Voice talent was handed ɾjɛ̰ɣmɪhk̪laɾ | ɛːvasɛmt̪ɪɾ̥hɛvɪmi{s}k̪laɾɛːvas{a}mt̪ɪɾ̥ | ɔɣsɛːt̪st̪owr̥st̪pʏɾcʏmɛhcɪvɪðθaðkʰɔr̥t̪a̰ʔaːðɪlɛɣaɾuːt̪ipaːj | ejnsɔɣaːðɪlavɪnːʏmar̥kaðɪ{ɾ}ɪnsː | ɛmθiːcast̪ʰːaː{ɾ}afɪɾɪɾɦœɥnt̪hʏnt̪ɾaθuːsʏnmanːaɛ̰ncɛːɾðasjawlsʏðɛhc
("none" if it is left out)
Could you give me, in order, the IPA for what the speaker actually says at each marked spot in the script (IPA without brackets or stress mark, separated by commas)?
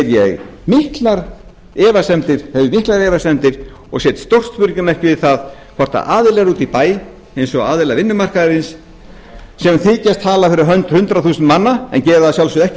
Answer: h, ɛ, ɾ, l